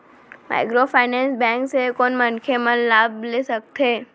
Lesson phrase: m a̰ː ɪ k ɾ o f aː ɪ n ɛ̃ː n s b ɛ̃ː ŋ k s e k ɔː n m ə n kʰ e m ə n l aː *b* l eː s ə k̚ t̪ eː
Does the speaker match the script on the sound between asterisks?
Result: yes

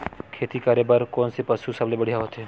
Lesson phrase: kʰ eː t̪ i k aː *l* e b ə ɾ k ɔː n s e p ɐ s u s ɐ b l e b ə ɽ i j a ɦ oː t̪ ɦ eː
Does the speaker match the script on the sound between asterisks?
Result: no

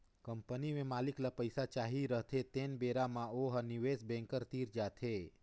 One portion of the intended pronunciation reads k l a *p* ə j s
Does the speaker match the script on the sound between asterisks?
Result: yes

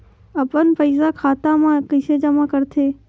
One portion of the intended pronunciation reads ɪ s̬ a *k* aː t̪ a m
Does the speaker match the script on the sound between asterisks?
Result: no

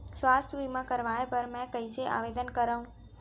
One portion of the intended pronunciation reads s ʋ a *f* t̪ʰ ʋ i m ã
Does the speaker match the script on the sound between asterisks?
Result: no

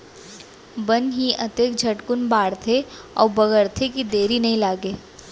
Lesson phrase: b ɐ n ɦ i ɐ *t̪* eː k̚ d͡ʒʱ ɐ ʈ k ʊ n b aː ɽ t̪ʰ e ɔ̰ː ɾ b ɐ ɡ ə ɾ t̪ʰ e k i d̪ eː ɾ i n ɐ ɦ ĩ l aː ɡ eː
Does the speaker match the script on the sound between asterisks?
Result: yes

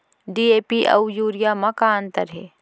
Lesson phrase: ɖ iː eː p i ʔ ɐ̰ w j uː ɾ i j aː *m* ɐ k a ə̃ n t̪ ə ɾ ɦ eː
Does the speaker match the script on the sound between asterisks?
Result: yes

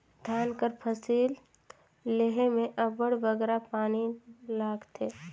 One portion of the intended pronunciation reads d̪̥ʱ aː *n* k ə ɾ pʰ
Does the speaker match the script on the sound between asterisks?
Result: yes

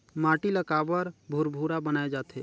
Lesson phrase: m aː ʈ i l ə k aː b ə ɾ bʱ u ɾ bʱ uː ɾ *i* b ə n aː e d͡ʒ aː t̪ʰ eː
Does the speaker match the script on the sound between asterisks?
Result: no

